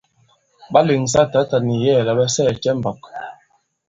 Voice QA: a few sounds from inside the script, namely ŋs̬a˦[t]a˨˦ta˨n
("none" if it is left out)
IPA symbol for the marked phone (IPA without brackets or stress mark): t